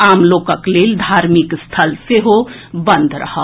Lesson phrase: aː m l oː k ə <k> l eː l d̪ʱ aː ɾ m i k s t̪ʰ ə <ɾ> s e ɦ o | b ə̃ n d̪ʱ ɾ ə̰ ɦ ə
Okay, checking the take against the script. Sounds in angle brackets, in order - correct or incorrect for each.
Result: correct, incorrect

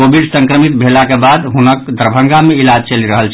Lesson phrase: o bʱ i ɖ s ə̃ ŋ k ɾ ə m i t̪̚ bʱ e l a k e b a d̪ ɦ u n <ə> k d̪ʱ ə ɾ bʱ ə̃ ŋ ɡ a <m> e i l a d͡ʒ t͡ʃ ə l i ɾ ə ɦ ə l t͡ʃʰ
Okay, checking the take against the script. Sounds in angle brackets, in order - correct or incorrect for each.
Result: correct, correct

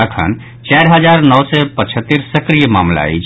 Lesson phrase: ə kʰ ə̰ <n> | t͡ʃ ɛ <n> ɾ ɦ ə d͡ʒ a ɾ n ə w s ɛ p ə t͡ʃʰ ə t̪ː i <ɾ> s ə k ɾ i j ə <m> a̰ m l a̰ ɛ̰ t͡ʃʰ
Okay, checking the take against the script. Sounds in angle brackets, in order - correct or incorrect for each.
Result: correct, incorrect, correct, correct

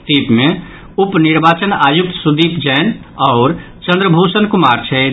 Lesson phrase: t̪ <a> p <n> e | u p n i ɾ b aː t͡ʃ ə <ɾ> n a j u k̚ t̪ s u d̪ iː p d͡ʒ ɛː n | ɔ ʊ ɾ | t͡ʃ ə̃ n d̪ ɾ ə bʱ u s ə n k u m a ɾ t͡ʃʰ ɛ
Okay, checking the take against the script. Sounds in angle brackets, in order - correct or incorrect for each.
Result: incorrect, incorrect, incorrect

